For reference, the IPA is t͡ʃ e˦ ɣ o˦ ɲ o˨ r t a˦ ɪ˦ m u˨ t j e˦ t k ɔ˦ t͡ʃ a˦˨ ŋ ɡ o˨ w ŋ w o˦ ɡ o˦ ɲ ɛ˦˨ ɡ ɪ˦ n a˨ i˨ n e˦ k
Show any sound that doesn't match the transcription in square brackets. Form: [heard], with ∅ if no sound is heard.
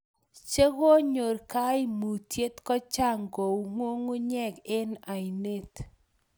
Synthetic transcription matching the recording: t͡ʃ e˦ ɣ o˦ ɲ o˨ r [k] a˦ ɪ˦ m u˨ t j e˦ t k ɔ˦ t͡ʃ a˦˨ ŋ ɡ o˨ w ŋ w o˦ [ŋ] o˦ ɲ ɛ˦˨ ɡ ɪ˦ n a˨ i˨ n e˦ [t]